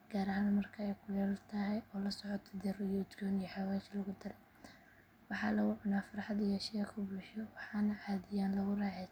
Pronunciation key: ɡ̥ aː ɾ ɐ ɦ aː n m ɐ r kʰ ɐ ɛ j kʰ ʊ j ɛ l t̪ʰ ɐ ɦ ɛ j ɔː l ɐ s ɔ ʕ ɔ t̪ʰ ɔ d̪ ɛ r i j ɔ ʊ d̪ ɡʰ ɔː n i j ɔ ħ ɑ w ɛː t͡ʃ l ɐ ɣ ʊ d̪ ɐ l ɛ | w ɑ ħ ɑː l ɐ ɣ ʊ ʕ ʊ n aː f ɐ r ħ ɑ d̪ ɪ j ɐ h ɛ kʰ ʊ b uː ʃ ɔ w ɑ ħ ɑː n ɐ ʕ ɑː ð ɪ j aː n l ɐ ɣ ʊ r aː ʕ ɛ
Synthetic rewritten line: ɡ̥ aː ɾ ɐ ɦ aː n m ɐ r kʰ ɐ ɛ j kʰ ʊ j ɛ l t̪ʰ ɐ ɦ ɛ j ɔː l ɐ s ɔ ʕ ɔ t̪ʰ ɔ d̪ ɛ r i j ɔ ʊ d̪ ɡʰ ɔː n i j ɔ ħ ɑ w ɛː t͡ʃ l ɐ ɣ ʊ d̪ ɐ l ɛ | w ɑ ħ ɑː l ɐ ɣ ʊ ʕ ʊ n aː f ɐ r ħ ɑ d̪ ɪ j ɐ ʃ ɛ kʰ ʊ b uː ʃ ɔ w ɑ ħ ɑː n ɐ ʕ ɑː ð ɪ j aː n l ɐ ɣ ʊ r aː ʕ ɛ